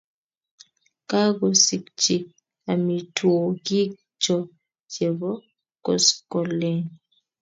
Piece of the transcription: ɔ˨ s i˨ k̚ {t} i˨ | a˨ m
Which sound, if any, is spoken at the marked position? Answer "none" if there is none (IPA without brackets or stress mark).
t͡ʃ